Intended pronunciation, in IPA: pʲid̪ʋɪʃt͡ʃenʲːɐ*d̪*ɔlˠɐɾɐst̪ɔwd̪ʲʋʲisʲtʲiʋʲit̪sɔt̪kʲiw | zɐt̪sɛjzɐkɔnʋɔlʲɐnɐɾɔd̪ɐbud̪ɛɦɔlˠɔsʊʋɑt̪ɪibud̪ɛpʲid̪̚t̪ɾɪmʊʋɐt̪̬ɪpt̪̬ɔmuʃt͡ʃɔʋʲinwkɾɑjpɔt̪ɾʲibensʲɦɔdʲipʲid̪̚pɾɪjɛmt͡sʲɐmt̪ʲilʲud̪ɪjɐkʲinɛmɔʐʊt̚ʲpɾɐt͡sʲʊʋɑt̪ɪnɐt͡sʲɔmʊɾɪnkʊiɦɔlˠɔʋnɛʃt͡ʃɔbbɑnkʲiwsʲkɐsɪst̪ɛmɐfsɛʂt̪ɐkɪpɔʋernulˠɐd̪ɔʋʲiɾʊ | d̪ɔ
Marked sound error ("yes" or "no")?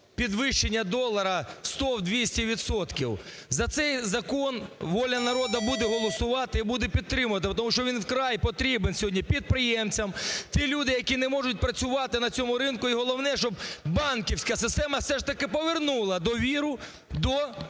no